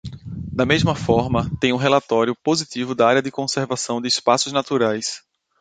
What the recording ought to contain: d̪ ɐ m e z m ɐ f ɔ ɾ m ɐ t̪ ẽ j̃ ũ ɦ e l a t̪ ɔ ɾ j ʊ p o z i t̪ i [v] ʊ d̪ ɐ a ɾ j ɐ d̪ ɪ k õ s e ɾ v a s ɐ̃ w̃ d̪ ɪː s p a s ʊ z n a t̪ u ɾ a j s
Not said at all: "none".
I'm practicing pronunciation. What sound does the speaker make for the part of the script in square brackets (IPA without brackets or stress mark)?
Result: v